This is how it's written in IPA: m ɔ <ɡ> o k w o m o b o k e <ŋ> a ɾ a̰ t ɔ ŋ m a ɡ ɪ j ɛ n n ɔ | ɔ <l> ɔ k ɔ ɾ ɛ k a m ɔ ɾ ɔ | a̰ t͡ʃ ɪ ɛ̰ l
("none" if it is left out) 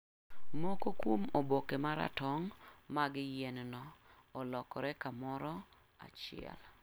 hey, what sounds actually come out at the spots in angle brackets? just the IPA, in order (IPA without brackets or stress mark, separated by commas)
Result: k, m, l